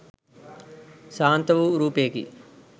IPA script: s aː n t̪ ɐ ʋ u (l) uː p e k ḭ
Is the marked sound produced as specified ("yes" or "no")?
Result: no